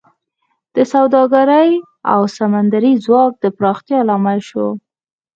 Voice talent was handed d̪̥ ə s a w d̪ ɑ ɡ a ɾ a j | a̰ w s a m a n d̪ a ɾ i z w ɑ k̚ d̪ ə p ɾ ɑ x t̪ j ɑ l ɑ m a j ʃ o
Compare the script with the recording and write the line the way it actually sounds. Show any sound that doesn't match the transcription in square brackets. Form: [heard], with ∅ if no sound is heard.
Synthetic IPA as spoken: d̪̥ ə s a w d̪ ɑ ɡ a ɾ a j | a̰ w s a m a n d̪ a ɾ i z w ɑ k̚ d̪ ə p ɾ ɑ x t̪ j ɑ l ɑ m a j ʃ o

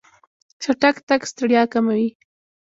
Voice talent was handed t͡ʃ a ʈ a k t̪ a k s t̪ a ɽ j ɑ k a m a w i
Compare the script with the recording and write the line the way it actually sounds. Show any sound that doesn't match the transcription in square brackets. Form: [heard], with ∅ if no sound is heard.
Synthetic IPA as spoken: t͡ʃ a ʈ a k t̪ a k s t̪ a ɽ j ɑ k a m a w i

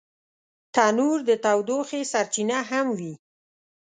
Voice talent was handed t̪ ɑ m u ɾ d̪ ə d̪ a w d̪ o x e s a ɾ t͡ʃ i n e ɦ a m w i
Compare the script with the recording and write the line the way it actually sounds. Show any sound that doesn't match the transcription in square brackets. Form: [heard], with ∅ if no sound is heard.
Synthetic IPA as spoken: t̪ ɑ [n] u ɾ d̪ ə [t̪] a w d̪ o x e s a ɾ t͡ʃ i n [a] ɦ a m w i

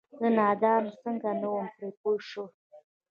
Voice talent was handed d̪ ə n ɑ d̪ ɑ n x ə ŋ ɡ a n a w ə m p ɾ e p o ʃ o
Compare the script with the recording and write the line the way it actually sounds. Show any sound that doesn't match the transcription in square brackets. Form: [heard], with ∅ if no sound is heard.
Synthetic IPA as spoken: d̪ ə n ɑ d̪ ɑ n [s] ə ŋ ɡ a n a w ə m p ɾ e p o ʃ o

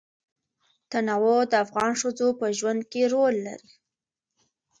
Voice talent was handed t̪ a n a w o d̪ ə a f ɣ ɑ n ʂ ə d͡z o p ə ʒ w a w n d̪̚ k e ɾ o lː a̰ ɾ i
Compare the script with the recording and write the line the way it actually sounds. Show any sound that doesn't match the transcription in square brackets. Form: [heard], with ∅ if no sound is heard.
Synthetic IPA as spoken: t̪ a n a w o d̪ ə a f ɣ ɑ n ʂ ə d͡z o p ə ʒ w a [∅] n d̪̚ k e ɾ o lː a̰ ɾ i

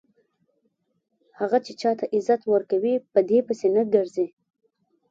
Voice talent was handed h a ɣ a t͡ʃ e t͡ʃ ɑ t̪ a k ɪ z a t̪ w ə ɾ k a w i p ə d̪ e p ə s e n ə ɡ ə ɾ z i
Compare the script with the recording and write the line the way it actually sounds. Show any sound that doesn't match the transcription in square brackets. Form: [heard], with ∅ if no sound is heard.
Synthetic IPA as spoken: h a ɣ a t͡ʃ e t͡ʃ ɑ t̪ a [ʔ] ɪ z a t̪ w ə ɾ k a w i p ə d̪ e p ə s e n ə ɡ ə ɾ z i

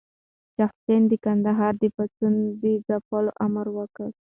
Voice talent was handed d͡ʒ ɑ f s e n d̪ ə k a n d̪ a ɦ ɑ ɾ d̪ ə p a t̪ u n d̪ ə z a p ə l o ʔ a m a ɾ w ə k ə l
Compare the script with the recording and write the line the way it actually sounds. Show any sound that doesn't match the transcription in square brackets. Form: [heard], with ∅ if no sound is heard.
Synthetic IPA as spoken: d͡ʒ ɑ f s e n d̪ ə k a n d̪ a ɦ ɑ ɾ d̪ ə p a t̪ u n d̪ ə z a p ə l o ʔ a m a ɾ w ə k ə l

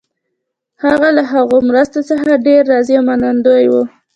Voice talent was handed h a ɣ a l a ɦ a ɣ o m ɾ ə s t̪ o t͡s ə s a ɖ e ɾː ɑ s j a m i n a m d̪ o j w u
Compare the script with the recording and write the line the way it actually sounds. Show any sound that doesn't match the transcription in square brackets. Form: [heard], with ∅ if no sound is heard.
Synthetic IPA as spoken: h a ɣ a l a ɦ a ɣ o m ɾ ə s t̪ o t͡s ə [x] a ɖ e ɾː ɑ [z] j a m [a] n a [n] d̪ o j w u

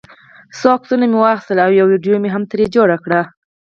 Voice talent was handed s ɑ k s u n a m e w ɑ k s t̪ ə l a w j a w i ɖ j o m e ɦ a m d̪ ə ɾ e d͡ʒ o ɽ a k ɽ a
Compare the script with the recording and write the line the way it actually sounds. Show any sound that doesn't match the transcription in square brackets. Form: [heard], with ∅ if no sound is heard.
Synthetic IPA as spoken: s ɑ k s u n a m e w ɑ [x] s t̪ ə l a w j a w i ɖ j o m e ɦ a m [t̪] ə ɾ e d͡ʒ o ɽ a k ɽ a

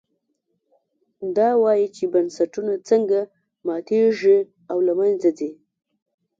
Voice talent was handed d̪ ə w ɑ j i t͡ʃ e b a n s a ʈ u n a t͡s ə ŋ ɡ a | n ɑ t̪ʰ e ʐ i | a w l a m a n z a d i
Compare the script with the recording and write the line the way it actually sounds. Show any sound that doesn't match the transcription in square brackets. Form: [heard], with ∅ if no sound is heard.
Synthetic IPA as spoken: d̪ [ɑ] w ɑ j i t͡ʃ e b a n s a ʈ u n a t͡s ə ŋ ɡ a | [m] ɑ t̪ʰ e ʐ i | a w l a m a n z a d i

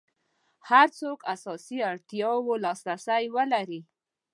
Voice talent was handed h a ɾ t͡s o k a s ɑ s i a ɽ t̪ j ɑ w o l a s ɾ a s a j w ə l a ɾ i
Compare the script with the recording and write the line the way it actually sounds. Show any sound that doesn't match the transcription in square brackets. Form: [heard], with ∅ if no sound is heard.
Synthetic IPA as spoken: h a ɾ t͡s o k a s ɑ s i a ɽ t̪ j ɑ w o l [ɑ] s ɾ a s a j w ə l a ɾ i

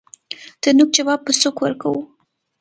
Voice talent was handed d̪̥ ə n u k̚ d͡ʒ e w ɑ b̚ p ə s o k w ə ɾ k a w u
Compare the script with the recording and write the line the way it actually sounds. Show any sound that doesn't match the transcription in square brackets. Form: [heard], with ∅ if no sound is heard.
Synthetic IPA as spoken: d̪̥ ə n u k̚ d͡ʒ [a] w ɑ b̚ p ə s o k w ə ɾ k a w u

